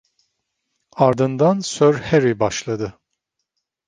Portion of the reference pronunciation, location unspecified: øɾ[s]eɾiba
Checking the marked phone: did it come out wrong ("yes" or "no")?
yes